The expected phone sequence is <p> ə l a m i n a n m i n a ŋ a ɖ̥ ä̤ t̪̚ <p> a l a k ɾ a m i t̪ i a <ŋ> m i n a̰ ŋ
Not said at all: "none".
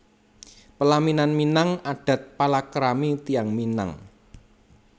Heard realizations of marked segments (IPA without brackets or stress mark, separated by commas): p, p, ŋ